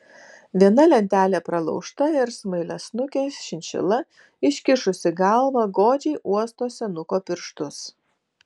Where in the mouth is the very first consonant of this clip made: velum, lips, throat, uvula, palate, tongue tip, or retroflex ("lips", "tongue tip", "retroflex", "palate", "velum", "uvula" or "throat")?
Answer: lips